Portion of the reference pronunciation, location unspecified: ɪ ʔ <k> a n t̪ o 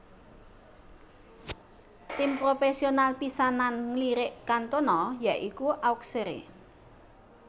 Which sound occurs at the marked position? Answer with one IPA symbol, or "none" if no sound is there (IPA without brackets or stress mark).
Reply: k